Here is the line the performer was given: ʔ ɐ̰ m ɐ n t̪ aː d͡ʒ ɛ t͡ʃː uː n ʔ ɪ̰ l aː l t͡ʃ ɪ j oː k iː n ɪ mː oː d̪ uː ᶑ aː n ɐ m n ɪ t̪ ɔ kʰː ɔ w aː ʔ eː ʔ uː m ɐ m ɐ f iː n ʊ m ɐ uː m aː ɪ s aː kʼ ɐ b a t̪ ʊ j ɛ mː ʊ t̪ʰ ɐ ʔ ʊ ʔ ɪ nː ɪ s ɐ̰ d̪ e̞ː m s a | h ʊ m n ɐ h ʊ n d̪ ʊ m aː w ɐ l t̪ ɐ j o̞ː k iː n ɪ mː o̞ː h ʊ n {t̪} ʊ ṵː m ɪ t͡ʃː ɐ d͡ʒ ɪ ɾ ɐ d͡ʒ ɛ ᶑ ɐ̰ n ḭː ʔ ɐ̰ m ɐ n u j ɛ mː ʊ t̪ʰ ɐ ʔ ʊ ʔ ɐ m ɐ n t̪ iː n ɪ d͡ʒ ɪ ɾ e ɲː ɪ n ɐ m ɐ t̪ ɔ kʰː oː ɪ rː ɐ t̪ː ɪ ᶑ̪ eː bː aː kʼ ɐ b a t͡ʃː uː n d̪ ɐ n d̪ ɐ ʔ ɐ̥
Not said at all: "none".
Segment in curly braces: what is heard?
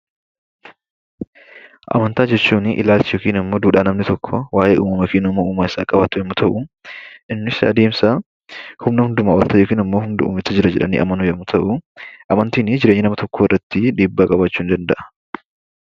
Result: d̪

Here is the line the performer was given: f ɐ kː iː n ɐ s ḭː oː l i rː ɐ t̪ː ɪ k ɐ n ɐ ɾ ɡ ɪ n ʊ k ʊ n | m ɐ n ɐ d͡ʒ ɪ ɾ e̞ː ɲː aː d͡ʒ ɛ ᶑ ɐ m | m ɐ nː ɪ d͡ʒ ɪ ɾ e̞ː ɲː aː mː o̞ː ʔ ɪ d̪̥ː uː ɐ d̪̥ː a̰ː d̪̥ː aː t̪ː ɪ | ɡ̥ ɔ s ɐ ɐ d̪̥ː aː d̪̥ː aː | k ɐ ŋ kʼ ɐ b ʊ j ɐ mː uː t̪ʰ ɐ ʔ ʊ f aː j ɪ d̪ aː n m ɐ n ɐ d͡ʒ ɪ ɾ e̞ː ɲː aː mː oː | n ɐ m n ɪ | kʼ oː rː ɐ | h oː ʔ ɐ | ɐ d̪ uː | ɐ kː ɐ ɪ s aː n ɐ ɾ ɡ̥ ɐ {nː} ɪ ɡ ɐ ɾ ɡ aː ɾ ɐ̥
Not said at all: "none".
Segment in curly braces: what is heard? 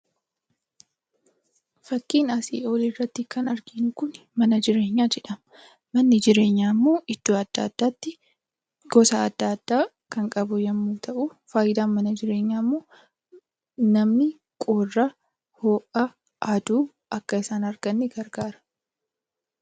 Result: nː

